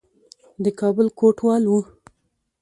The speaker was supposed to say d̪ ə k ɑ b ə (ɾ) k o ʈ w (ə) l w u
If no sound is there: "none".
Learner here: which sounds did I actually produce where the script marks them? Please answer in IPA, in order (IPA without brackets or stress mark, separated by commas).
l, ɑ